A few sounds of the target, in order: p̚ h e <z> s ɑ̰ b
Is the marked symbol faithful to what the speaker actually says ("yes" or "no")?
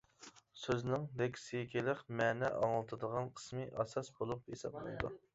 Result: no